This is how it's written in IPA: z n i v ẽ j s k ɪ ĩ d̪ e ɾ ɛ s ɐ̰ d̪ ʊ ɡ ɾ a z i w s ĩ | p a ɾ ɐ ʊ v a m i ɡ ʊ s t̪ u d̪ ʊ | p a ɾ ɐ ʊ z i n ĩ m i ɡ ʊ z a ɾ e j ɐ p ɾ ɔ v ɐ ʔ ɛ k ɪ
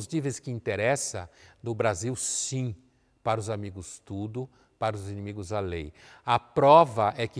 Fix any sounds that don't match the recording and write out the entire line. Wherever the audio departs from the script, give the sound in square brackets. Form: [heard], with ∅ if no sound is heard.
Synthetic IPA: z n i v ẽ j s k ɪ ĩ [t̪] e ɾ ɛ s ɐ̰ d̪ ʊ [b] ɾ a z i w s ĩ | p a ɾ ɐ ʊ [z] a m i ɡ ʊ s t̪ u d̪ ʊ | p a ɾ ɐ ʊ z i n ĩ m i ɡ ʊ z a [l] e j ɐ p ɾ ɔ v ɐ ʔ ɛ k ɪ